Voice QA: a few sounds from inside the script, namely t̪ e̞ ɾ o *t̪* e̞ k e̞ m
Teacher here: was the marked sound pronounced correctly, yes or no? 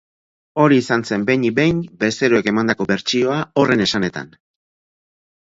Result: no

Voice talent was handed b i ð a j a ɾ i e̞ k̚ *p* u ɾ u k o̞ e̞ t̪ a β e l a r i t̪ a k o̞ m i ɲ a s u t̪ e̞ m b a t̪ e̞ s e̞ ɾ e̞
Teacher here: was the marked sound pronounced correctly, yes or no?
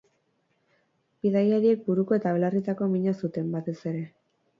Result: no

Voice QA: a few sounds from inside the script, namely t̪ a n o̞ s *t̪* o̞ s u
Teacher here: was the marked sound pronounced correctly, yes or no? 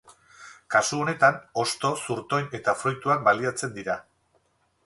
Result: yes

